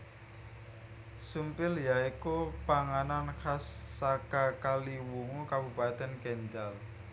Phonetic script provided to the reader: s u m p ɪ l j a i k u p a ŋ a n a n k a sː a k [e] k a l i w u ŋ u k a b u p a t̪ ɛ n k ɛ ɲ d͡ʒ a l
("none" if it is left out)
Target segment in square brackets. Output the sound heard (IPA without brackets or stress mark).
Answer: a